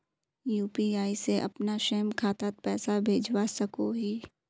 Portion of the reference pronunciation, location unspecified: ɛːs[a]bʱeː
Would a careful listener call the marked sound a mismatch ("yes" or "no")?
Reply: no